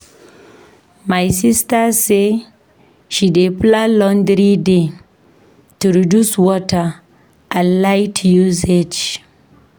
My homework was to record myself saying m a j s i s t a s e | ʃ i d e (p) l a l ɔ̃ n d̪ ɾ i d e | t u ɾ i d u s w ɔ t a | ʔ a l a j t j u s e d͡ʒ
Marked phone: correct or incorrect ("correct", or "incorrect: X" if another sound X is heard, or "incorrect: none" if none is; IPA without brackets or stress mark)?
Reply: correct